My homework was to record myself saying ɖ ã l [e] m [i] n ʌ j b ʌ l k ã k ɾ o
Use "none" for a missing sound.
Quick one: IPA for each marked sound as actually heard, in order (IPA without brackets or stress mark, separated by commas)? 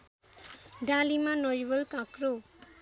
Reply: i, a